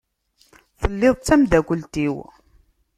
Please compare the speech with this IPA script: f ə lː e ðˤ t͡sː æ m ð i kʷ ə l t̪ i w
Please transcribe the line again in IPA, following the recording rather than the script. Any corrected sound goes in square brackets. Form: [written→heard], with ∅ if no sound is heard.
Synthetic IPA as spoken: [f→θ] ə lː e ðˤ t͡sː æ m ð [i→æ] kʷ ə l t̪ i w